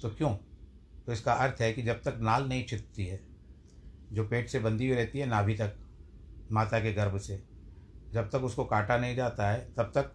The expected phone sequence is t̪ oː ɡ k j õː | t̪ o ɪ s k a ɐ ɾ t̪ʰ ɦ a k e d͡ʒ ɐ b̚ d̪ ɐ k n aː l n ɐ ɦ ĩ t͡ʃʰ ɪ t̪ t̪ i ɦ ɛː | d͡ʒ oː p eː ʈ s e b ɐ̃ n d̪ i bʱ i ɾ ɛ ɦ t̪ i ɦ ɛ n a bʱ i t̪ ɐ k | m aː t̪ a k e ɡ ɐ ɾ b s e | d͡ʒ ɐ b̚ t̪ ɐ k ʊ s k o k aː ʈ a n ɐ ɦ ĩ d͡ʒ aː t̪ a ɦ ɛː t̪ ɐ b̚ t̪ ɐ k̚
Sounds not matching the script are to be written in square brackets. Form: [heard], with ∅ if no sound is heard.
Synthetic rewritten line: t̪ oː [∅] k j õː | t̪ o ɪ s k a ɐ ɾ t̪ʰ ɦ [ɛ] k [i] d͡ʒ ɐ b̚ [t̪] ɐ k n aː l n ɐ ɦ ĩ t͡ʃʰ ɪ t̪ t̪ i ɦ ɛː | d͡ʒ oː p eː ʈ s e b ɐ̃ n d̪ i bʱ i ɾ ɛ ɦ t̪ i ɦ ɛ n a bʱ i t̪ ɐ k | m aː t̪ a k e ɡ ɐ ɾ b s e | d͡ʒ ɐ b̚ t̪ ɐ k ʊ s k o k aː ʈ a n ɐ ɦ ĩ d͡ʒ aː t̪ a ɦ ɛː t̪ ɐ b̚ t̪ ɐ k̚